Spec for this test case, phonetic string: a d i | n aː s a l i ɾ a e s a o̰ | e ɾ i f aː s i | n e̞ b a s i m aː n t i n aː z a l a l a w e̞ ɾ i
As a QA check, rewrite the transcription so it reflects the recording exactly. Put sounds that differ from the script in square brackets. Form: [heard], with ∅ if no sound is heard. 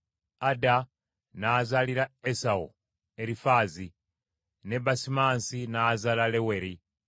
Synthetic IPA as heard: a d [a] | n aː [z] a l i ɾ a e s a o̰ | e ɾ i f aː [z] i | n e̞ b a s i m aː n [s] i n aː z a l a l [e] w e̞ ɾ i